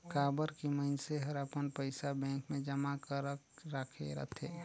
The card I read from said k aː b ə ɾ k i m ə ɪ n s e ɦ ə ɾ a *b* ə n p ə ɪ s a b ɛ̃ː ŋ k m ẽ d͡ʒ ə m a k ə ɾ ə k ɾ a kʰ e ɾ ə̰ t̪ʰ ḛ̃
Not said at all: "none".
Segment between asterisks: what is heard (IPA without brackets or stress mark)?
p